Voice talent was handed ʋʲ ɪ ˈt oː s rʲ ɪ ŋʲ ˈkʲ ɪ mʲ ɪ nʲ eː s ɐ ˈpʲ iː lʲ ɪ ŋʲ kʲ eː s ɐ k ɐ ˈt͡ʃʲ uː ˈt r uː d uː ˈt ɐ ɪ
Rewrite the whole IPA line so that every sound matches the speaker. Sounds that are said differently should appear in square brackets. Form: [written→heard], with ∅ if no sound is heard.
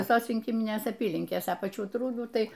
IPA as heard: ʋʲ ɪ [ˈt→ˈs] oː s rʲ ɪ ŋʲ ˈkʲ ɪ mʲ ɪ nʲ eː s ɐ ˈpʲ iː lʲ ɪ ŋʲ kʲ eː s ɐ [k→p] ɐ ˈt͡ʃʲ uː ˈt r uː d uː ˈt ɐ ɪ